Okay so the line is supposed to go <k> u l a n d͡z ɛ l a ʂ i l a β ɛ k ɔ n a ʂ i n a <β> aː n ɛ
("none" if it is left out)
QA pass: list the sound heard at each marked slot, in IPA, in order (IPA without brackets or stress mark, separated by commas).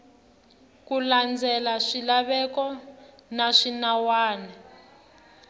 k, w